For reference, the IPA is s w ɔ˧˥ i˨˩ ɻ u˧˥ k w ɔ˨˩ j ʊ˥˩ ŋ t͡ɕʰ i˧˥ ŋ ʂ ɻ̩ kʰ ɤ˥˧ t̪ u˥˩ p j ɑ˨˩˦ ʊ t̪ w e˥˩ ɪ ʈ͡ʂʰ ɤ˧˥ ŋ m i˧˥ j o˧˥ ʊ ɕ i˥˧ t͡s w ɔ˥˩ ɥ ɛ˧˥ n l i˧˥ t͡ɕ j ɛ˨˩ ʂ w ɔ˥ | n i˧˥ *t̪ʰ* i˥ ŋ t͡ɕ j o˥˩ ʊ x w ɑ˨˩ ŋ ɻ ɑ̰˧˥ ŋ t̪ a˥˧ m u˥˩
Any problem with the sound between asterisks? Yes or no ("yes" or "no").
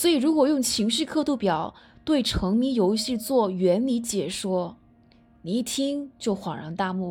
no